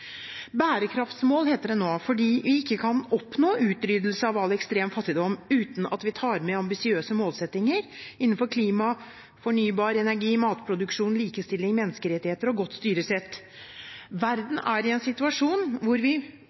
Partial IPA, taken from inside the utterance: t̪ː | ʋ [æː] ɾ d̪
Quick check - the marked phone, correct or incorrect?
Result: incorrect